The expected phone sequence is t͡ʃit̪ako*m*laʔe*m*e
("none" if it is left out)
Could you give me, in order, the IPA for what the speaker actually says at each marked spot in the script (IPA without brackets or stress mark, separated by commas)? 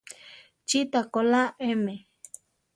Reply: none, m